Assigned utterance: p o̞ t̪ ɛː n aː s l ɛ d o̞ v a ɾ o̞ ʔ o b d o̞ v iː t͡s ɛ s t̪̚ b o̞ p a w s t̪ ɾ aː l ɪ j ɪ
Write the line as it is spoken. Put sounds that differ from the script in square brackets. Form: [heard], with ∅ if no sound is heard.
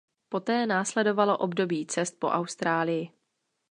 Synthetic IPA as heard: p o̞ t̪ ɛː n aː s l ɛ d o̞ v a [l] o̞ ʔ o b d o̞ [b] iː t͡s ɛ s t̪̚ [p] o̞ [ʔ] a w s t̪ ɾ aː l ɪ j ɪ